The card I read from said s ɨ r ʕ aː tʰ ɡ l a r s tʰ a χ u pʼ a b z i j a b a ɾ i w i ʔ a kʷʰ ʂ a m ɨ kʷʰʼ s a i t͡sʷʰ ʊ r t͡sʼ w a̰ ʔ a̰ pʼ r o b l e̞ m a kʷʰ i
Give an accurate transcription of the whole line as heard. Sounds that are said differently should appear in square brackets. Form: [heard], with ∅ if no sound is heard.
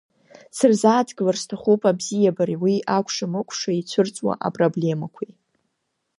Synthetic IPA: s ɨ r [z] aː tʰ ɡ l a r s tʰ a χ u pʼ a b z i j a b a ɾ i w i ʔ a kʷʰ ʂ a m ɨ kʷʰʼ [ʂ] a i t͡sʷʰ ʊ r t͡sʼ w a̰ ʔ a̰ pʼ r o b l e̞ m a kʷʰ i